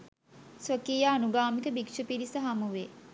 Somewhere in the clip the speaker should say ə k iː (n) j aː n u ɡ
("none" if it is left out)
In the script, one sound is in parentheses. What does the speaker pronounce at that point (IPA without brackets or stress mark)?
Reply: none